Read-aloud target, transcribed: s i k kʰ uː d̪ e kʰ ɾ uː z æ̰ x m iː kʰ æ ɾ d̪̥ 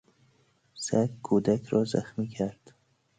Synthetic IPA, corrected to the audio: s æ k kʰ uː d̪ æ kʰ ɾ ɒː z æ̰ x m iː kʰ æ ɾ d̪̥